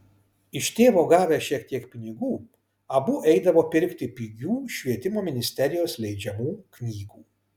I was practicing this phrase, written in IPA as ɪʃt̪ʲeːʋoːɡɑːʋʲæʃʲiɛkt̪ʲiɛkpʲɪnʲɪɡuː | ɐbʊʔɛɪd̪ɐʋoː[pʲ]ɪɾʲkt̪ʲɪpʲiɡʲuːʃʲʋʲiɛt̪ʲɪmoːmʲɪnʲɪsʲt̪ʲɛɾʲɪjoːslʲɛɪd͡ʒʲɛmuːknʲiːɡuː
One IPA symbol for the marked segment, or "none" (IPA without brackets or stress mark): pʲ